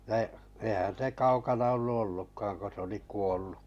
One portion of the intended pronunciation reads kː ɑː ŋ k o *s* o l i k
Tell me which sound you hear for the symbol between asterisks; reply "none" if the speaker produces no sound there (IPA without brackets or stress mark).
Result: s